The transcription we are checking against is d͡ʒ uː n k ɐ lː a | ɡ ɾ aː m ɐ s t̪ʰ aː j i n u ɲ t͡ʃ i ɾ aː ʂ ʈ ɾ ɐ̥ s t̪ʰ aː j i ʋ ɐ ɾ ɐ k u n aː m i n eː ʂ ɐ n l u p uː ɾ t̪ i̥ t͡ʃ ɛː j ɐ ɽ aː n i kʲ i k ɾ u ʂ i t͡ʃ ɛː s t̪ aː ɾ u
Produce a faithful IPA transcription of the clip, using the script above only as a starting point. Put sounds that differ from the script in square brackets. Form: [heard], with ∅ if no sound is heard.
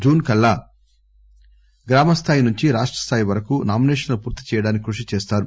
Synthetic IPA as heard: d͡ʒ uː n k ɐ lː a | ɡ ɾ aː m ɐ s t̪ʰ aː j i n u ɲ t͡ʃ i ɾ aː ʂ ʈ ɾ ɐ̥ s t̪ʰ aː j i ʋ ɐ ɾ ɐ k u n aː m i n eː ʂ ɐ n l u p uː ɾ t̪ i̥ t͡ʃ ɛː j ɐ ɽ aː n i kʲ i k ɾ u ʂ i t͡ʃ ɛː s t̪ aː ɾ u